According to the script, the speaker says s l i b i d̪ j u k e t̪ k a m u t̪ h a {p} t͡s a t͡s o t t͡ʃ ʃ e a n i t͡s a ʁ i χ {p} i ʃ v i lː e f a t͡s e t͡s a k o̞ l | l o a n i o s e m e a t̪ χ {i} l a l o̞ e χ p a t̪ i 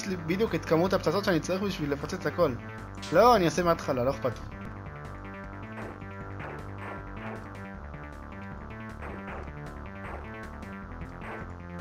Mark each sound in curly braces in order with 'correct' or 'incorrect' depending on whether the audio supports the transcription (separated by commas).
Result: correct, incorrect, incorrect